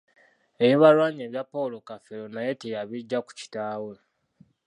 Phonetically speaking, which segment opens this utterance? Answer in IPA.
e̞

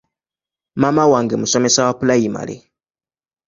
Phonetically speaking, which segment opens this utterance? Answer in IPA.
m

